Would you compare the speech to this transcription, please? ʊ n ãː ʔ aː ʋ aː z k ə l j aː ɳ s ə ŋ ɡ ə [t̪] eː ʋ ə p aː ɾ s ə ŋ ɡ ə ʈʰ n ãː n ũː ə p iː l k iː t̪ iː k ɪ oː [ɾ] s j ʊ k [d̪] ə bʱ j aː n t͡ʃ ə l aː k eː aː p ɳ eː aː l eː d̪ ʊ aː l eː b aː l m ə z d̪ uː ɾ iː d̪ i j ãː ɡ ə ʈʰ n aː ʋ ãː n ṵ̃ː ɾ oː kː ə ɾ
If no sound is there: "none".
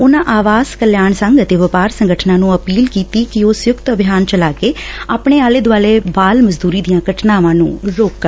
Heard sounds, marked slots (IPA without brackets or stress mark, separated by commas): t̪, none, t̪